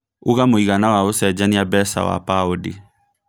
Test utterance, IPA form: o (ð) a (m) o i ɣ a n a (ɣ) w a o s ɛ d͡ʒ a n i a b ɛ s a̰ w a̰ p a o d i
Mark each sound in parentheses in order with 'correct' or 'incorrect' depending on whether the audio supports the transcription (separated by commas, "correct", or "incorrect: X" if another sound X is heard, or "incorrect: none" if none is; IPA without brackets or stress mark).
incorrect: ɣ, correct, incorrect: none